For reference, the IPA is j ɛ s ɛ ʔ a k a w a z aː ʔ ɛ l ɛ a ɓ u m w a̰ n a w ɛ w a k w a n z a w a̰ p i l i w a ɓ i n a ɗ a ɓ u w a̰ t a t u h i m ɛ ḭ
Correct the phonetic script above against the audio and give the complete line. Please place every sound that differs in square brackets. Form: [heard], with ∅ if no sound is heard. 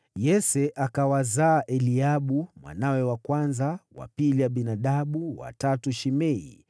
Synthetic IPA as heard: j ɛ s ɛ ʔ a k a w a z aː ʔ ɛ l [i] a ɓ u m w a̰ n a w ɛ w a k w a n z a w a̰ p i l i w a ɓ i n a ɗ a ɓ u w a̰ t a t u [ʃ] i m ɛ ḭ